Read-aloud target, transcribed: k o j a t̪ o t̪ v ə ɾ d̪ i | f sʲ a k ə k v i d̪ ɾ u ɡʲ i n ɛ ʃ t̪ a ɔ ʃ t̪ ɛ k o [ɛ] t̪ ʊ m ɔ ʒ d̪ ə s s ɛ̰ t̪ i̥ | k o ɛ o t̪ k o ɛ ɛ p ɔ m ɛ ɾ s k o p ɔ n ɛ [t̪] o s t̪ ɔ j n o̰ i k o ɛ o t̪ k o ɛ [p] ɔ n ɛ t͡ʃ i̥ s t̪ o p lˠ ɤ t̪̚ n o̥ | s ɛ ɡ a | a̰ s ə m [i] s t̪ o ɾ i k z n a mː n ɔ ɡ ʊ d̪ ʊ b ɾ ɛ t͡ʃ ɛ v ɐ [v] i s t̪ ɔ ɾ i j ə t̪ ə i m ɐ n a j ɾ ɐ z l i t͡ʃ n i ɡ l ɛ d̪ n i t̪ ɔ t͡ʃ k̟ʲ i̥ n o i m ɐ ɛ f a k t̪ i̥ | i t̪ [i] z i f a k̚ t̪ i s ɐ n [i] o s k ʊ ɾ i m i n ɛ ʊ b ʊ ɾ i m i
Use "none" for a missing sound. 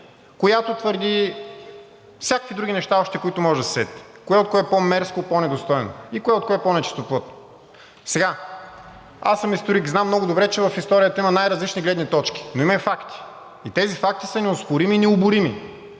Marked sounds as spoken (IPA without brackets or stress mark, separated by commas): i, d̪, p, i, f, ɛ, ɛ